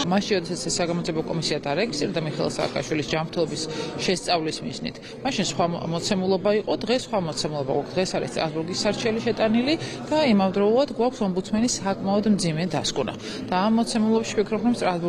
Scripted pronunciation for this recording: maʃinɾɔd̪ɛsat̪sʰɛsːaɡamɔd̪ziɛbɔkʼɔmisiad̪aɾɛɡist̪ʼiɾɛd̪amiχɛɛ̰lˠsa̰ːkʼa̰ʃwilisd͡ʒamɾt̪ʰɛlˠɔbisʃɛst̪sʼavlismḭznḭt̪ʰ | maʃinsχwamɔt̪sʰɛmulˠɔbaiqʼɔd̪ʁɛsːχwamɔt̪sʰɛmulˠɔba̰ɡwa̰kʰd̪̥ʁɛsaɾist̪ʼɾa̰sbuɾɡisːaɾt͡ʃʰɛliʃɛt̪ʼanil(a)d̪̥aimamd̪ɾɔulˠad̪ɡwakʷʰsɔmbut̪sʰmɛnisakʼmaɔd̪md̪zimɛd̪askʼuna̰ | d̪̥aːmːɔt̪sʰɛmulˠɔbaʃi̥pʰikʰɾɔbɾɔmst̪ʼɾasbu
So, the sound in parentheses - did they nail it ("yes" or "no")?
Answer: no